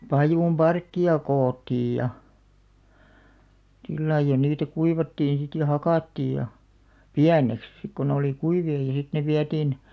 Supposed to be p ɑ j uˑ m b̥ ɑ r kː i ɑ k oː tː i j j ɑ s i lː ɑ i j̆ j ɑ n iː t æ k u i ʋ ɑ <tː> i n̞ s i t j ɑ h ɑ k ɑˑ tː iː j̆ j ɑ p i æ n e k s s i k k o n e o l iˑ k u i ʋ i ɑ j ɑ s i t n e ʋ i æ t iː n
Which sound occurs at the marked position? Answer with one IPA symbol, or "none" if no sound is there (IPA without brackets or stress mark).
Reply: tː